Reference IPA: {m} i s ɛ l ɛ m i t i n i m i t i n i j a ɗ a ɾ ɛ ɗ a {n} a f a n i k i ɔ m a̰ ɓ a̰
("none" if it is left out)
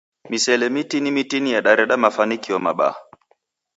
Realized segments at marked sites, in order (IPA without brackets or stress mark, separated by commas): m, m